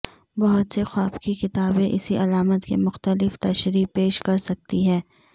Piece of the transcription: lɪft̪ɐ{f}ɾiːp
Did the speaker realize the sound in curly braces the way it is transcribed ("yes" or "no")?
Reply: no